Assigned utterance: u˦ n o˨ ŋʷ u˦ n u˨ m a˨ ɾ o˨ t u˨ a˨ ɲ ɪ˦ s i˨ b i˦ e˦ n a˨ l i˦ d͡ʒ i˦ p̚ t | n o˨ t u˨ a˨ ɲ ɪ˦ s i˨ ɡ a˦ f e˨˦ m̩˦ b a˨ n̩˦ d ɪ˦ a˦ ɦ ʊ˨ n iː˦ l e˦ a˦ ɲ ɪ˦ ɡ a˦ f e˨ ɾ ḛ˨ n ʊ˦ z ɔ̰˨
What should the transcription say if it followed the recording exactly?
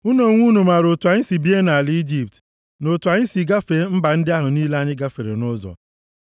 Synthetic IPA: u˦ n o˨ ŋʷ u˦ n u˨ m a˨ ɾ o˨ t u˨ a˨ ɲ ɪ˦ s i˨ b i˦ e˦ n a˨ l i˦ d͡ʒ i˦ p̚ t | n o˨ t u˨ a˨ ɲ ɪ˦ s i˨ ɡ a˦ f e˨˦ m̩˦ b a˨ n̩˦ d ɪ˦ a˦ ɦ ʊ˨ n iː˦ l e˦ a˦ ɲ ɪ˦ ɡ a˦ f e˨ ɾ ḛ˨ n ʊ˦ z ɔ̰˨